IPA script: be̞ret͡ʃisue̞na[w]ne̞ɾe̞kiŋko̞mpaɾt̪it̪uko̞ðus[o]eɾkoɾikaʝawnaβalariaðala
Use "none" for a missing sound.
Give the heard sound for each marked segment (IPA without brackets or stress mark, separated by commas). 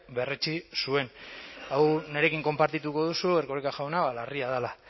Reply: w, u